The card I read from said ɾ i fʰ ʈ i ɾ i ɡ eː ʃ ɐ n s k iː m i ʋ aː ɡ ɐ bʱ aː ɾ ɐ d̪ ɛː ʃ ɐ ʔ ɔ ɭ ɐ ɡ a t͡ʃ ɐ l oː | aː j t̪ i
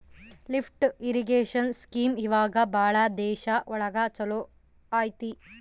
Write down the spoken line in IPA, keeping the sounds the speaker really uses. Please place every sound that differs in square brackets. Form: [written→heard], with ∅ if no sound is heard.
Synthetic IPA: [ɾ→l] i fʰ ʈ i ɾ i ɡ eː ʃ ɐ n s k iː m i ʋ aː ɡ ɐ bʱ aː [ɾ→ɭ] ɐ d̪ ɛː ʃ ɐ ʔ ɔ ɭ ɐ ɡ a t͡ʃ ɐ l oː | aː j t̪ i